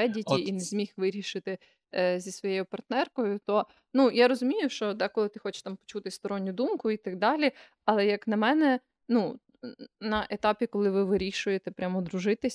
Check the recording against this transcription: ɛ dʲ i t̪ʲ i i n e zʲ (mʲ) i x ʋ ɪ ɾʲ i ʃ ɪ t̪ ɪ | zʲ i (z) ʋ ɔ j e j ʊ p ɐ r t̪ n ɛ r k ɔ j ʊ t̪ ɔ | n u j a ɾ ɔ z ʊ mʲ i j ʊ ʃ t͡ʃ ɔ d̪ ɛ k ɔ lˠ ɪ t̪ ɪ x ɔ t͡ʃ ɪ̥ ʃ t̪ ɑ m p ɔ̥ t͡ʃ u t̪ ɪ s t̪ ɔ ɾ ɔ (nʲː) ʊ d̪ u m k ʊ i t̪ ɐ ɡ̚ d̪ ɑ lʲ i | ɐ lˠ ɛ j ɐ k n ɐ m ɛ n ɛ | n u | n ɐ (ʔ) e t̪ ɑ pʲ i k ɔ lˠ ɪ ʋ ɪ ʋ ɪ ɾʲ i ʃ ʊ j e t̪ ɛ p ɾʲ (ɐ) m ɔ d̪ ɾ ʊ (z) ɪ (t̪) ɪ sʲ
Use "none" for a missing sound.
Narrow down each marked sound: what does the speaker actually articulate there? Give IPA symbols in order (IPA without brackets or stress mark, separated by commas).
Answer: mʲ, s, nʲː, ʔ, a, ʒ, t̪